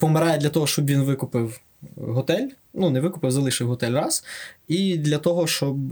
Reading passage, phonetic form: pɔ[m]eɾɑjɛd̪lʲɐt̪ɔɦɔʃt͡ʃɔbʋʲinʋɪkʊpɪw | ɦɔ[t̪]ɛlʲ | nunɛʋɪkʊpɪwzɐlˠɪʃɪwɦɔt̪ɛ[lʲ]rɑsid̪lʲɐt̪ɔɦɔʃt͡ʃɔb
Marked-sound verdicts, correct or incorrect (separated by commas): correct, correct, correct